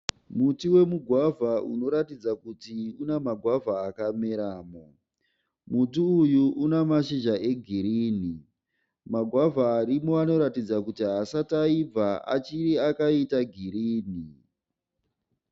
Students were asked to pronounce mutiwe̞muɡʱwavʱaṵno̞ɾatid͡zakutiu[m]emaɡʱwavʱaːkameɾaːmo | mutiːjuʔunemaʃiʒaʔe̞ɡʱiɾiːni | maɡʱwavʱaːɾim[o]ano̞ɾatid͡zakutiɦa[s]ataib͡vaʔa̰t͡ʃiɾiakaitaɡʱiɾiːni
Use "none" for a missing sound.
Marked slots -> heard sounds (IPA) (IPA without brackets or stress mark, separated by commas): n, o, s